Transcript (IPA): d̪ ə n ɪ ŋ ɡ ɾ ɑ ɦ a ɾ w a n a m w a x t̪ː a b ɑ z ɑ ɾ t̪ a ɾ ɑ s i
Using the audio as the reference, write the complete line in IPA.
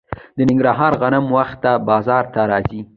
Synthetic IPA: d̪ ə n ɪ ŋ ɡ ɾ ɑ ɦ ɑ ɾ ɣ a n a m w a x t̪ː a b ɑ z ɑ ɾ t̪ a ɾ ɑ z i